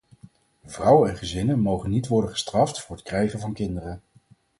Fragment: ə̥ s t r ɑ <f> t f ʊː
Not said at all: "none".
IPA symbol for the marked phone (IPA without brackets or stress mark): f